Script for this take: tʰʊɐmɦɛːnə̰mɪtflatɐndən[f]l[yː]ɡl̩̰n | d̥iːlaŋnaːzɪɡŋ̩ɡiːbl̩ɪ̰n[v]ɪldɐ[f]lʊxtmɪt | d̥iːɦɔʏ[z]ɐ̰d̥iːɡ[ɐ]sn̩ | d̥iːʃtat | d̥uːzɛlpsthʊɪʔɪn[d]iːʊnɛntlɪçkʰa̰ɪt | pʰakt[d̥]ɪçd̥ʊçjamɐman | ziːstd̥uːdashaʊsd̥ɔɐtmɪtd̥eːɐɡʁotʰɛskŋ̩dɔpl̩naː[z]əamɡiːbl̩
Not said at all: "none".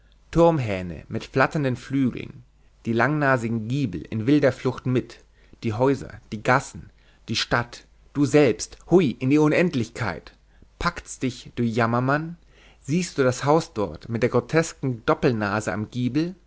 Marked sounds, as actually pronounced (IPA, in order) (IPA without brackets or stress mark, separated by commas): f, yː, v, f, z, a, d, d̥, z